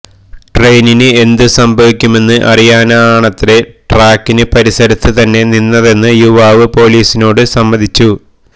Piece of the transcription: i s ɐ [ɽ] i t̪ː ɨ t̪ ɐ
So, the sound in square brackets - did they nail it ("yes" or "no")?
no